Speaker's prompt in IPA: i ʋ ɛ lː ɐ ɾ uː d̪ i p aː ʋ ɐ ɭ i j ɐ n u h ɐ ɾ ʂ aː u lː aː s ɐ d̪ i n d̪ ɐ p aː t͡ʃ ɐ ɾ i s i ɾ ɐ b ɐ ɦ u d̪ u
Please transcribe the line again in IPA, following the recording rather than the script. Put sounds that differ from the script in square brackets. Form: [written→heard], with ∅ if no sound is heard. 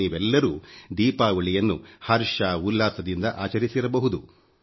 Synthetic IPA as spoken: [i→iː] ʋ ɛ lː ɐ ɾ uː d̪ [i→iː] p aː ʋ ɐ ɭ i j ɐ [n→nː] u h ɐ ɾ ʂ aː u lː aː s ɐ d̪ i n d̪ ɐ [p→ʔ] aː t͡ʃ ɐ ɾ i s i ɾ ɐ b ɐ ɦ u d̪ u